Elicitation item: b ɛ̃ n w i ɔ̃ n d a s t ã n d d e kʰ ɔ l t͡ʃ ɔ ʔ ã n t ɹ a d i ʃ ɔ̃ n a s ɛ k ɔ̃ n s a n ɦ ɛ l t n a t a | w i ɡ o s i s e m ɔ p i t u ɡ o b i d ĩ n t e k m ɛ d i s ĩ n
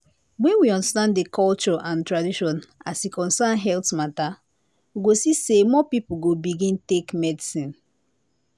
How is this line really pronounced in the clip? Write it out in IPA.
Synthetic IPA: w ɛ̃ n w i ɔ̃ n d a s t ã n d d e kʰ ɔ l t͡ʃ ɔ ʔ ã n t ɹ a d i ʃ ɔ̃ n a s i k ɔ̃ n s a n ɦ ɛ l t m a t a | w i ɡ o s i s e m ɔ p i p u ɡ o b i ɡ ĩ n t e k m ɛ d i s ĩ n